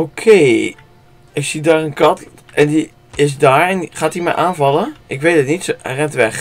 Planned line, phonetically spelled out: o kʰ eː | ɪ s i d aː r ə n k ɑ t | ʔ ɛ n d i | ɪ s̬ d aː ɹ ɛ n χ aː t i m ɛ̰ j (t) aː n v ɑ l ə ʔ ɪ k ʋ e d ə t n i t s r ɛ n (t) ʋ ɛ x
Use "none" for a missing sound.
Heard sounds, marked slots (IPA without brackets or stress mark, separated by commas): ʔ, t